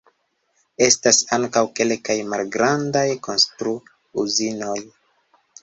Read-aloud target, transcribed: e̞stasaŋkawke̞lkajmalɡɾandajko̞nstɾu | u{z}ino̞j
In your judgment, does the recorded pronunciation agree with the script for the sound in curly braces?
yes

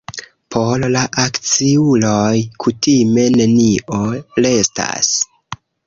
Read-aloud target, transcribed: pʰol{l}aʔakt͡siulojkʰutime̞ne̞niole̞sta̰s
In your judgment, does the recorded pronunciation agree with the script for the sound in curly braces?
yes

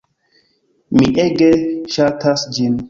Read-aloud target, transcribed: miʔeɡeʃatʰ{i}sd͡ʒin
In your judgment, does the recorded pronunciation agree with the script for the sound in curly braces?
no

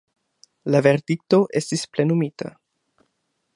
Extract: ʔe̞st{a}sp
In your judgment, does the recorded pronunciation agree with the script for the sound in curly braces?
no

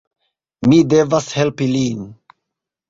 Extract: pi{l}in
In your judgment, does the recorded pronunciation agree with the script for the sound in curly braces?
yes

